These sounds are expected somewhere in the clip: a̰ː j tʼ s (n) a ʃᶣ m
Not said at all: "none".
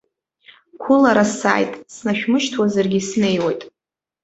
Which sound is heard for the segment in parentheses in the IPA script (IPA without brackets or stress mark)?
n